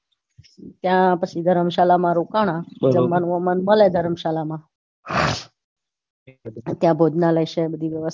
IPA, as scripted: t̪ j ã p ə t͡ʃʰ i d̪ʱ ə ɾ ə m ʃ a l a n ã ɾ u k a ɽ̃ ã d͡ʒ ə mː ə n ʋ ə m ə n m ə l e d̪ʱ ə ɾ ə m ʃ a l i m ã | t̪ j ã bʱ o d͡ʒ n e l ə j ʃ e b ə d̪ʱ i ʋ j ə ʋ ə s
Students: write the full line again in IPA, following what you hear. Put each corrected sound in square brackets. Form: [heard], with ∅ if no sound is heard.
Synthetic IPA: t̪ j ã p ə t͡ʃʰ i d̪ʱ ə ɾ ə m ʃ a l a [m] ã ɾ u k a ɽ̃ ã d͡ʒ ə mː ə n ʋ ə m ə n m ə l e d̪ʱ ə ɾ ə m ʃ a l [a] m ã | t̪ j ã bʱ o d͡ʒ n [a] l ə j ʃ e b ə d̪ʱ i ʋ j ə ʋ ə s